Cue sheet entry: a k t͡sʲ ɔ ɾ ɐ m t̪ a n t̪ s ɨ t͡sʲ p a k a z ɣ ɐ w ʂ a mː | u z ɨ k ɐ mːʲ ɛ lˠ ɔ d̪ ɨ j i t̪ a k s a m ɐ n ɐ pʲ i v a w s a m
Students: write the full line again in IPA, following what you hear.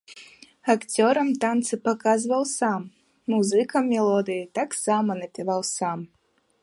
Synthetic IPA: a k t͡sʲ ɔ ɾ ɐ m t̪ a n t̪ s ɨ p a k a z v ɐ w s a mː | u z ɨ k ɐ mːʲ ɛ lˠ ɔ d̪ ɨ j i t̪ a k s a m ɐ n ɐ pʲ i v a w s a m